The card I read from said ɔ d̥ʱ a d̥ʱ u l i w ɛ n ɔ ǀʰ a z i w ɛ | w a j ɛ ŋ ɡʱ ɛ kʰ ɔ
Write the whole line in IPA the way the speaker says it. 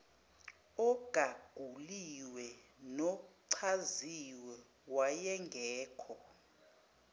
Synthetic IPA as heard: ɔ ɡ̥ʱ a ɡ̥ʱ u l i w ɛ n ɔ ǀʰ a z i w ɛ | w a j ɛ ŋ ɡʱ ɛː kʰ ɔ